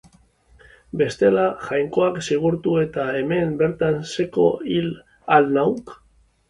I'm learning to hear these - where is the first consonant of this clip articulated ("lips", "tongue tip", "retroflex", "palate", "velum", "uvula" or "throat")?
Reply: lips